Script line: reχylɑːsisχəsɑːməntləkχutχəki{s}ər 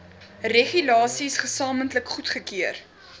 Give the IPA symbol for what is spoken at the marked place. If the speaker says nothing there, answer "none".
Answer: none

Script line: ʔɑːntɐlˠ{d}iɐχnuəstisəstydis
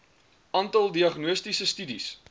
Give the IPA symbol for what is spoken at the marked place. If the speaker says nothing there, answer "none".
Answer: d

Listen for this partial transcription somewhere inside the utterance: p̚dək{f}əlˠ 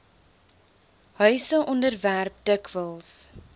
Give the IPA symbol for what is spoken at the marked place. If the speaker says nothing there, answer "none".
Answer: v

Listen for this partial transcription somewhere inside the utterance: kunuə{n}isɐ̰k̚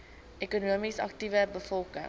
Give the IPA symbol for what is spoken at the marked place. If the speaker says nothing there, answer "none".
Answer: m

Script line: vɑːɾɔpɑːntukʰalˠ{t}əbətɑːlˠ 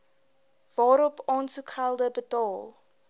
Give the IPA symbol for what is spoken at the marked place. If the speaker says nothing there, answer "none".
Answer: d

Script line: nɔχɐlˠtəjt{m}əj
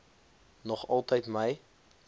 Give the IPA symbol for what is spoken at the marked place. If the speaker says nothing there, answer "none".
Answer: m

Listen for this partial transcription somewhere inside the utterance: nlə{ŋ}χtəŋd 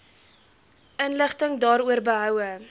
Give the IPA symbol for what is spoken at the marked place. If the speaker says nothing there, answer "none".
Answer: none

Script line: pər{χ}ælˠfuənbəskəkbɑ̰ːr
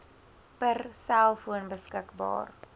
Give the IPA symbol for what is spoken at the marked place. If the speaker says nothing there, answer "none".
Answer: s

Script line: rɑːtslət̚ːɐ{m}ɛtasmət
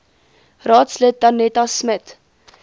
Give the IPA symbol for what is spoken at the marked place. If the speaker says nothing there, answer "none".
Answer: n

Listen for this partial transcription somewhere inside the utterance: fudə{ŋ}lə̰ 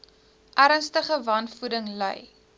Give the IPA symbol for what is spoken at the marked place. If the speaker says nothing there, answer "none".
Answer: ŋ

